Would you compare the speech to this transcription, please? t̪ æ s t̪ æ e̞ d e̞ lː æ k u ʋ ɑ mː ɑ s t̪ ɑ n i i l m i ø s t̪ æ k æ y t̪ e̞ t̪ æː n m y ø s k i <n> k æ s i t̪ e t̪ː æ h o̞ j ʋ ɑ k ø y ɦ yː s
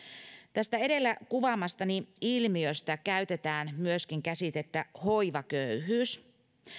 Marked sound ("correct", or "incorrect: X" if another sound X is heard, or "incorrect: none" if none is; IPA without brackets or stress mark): incorrect: ŋ